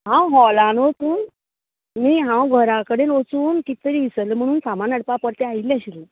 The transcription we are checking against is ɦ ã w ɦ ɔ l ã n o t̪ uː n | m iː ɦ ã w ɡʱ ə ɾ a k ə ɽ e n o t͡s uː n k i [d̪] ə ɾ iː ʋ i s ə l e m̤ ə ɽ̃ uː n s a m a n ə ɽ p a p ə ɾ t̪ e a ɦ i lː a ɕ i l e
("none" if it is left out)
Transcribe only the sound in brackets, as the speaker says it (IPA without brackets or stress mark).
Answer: t̪